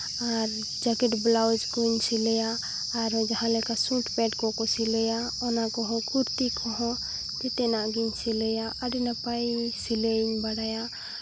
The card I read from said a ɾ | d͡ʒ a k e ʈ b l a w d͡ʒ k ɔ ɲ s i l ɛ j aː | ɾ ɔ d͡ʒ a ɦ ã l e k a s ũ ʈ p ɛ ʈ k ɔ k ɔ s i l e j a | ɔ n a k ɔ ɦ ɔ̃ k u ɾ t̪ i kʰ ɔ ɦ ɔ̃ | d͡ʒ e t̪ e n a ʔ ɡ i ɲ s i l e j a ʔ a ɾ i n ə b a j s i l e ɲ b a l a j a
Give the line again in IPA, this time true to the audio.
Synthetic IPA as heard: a ɾ | d͡ʒ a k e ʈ b l a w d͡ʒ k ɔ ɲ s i l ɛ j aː | ɾ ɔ d͡ʒ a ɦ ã l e k a s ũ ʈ p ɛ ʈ k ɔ k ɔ s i l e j a | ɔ n a k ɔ ɦ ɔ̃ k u ɾ t̪ i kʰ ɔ ɦ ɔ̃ | d͡ʒ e t̪ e n a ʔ ɡ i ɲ s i l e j a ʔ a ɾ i n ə p a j s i l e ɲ b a ɽ a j a